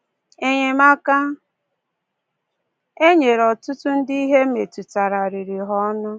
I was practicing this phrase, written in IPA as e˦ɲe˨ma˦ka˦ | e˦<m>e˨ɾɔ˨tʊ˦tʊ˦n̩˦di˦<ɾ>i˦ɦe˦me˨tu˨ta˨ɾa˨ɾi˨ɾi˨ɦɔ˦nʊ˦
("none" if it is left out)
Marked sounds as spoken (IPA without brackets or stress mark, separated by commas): ɲ, none